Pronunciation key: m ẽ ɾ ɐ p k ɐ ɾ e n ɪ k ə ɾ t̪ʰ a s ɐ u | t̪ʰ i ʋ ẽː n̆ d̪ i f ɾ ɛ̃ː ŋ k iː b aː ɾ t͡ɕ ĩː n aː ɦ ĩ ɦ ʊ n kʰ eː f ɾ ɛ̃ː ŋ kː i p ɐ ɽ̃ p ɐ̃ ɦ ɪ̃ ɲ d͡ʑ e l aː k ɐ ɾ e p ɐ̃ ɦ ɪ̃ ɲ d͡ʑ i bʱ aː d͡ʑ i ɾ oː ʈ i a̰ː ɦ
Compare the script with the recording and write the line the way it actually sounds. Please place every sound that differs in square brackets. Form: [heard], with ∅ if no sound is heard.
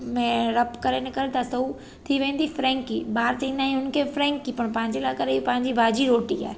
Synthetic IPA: m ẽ ɾ ɐ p k ɐ ɾ e n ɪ k ə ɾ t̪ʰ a s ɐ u | t̪ʰ i ʋ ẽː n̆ d̪ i f ɾ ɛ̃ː ŋ k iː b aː ɾ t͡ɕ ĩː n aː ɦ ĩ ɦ ʊ n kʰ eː f ɾ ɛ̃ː ŋ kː i p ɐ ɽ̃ p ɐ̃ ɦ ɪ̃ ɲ d͡ʑ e l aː k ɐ ɾ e p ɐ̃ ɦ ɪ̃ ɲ d͡ʑ i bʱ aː d͡ʑ i ɾ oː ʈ i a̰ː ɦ